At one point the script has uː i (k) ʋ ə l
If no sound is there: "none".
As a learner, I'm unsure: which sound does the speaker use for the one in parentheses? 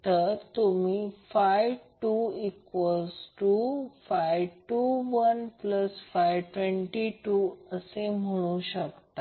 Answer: k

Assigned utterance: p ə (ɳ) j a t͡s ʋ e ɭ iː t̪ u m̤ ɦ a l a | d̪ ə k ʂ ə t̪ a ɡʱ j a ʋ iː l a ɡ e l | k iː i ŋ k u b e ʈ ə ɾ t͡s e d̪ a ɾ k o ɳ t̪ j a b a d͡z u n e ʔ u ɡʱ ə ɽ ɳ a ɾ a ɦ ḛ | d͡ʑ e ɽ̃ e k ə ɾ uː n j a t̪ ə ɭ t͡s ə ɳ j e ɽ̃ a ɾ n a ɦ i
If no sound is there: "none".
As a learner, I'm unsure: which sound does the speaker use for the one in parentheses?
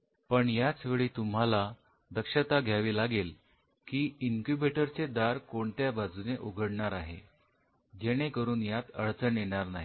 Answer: ɳ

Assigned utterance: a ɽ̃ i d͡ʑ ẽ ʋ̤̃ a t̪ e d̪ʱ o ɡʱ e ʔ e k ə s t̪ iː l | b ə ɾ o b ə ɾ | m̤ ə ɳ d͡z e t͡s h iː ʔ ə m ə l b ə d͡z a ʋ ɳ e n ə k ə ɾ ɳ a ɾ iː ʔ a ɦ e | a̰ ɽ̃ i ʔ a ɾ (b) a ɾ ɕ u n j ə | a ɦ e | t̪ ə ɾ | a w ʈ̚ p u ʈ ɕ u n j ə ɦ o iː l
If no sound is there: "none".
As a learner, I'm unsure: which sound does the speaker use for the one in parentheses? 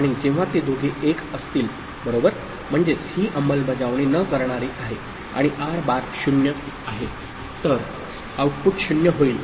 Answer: b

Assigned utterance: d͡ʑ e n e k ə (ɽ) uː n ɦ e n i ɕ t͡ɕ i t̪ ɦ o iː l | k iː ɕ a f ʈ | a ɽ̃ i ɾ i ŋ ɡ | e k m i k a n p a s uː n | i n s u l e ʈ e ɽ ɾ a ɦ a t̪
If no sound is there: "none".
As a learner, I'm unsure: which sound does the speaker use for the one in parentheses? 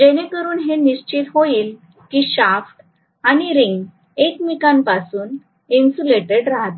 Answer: ɾ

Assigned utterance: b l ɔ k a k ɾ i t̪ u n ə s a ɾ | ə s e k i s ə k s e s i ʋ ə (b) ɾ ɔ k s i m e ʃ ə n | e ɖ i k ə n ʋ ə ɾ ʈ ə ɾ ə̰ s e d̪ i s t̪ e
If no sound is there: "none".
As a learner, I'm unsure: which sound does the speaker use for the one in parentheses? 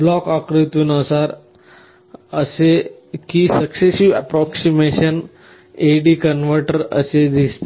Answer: p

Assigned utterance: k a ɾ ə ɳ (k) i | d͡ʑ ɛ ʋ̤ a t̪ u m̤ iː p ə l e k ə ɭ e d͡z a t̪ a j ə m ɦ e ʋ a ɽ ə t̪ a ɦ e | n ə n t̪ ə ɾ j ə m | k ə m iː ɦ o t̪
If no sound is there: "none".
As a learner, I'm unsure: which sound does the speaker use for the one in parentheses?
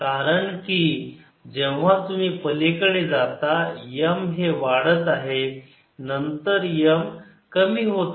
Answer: k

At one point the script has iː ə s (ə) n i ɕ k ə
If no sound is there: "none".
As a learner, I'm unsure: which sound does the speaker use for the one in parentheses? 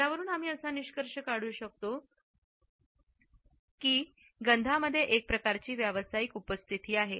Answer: a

